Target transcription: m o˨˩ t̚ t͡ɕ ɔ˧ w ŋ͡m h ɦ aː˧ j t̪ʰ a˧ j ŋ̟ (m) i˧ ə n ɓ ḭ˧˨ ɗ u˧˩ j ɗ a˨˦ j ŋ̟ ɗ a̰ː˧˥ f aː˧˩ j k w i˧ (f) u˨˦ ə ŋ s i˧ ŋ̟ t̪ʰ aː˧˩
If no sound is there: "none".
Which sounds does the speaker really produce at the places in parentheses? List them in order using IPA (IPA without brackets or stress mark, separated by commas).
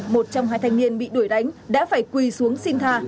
n, s